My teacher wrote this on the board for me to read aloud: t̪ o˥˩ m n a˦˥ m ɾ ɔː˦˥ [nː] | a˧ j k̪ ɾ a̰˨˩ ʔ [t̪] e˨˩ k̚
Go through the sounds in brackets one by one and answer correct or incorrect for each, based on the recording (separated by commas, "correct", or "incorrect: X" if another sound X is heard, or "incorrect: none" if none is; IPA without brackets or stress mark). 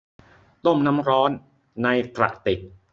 correct, correct